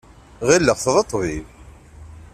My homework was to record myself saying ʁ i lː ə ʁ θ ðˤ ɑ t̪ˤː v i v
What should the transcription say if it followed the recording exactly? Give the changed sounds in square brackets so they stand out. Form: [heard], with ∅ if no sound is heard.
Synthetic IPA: ʁ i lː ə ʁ θ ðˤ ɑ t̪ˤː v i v